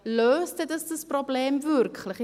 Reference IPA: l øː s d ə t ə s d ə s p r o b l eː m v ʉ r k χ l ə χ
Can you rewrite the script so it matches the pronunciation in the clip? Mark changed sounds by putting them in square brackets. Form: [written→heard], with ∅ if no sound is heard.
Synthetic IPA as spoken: l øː s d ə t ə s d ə s p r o b l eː m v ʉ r k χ l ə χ